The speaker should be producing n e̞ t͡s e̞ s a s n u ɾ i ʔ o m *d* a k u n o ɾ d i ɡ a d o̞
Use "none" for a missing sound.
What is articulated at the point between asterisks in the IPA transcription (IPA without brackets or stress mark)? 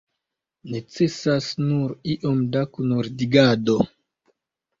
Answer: d